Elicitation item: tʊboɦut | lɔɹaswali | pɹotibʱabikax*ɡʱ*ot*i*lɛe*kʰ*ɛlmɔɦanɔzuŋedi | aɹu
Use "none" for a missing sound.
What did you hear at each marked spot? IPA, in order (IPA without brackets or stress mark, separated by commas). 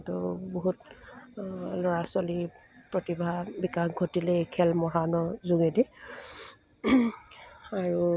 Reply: ɡʱ, i, kʰ